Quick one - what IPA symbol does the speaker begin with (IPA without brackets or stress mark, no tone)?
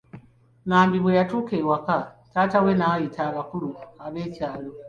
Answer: n